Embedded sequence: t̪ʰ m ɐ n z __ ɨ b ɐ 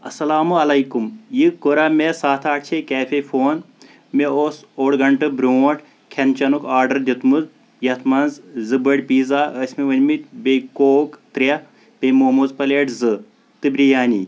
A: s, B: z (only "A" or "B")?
B